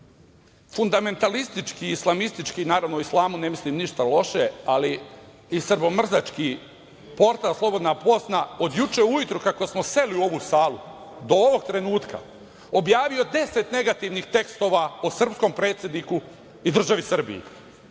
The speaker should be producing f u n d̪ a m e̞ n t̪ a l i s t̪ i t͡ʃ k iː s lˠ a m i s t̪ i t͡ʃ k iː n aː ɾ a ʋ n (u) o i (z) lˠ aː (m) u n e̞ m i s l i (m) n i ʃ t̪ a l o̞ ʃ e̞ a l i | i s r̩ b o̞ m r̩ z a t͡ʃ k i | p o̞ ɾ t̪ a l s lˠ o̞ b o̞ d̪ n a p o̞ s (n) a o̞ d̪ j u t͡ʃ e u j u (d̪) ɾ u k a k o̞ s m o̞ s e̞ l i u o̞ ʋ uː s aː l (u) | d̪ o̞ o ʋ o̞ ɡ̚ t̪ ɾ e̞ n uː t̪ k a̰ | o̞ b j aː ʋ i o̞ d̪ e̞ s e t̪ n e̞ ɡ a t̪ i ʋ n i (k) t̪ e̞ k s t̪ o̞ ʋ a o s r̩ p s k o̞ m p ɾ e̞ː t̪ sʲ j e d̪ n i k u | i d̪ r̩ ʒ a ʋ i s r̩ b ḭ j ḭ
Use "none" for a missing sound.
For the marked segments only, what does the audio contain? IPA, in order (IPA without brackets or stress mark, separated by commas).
o, s, m, m, n, t̪, u, x